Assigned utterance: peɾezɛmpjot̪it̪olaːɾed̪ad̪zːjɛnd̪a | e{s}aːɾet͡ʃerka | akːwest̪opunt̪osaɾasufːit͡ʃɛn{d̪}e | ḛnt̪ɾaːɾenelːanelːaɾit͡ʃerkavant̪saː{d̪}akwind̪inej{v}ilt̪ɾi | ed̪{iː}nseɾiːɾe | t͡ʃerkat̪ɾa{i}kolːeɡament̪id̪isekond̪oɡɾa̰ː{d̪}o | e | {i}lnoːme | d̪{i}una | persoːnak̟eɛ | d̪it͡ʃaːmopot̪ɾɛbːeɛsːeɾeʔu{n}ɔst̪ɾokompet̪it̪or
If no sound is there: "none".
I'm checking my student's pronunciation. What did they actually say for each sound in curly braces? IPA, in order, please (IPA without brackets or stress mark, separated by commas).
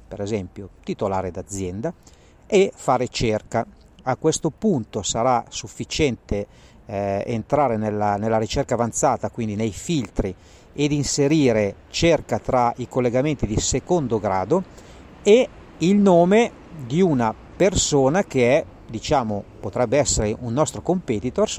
f, t̪, t̪, f, i, i, d̪, i, i, nː